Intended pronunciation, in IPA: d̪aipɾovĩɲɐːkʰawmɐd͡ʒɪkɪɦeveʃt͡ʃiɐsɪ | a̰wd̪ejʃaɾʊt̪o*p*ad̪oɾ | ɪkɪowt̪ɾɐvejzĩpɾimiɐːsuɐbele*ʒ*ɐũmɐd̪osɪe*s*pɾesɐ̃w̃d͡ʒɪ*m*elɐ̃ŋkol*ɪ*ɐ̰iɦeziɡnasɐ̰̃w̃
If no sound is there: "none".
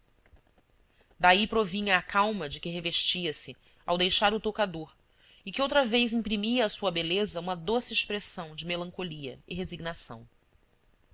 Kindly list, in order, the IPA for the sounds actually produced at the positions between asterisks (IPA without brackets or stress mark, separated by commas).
k, z, ʃ, m, i